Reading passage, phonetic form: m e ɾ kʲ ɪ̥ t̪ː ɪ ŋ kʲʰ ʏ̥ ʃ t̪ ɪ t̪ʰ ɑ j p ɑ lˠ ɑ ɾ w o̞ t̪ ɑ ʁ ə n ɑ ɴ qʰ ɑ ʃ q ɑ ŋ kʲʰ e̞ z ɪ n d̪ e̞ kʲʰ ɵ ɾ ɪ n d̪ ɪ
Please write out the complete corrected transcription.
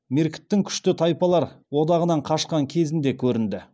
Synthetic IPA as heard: m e ɾ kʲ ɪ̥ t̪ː ɪ ŋ kʲʰ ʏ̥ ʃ t̪ ɪ t̪ʰ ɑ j p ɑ lˠ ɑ ɾ w o̞ d̪ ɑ ʁ ə n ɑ ɴ qʰ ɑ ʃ q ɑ ŋ kʲʰ e̞ z ɪ n d̪ e̞ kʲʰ ɵ ɾ ɪ n d̪ ɪ